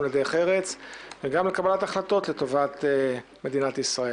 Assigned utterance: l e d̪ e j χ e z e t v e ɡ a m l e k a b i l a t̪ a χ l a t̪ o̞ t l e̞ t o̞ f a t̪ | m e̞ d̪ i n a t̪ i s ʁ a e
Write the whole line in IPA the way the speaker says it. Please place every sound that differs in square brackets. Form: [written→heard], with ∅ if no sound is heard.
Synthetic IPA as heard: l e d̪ e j χ e [z→ʁ] e [t→t͡s] v e ɡ a m l e k a b [i→a] l a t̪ a χ l a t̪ o̞ t l e̞ t o̞ [f→v] a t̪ | m e̞ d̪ i n a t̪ i s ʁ a e